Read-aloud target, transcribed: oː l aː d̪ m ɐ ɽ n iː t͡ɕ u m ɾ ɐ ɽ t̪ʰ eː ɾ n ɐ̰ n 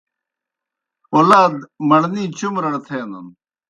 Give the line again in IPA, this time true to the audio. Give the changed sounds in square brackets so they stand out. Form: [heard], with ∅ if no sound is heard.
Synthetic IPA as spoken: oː l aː d̪ m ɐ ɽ n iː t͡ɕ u m ɾ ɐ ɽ t̪ʰ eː [∅] n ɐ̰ n